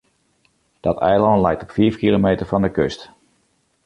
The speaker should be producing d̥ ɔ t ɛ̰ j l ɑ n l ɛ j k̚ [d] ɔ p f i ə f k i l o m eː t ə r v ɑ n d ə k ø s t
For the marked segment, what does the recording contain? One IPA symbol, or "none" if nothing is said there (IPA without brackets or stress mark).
t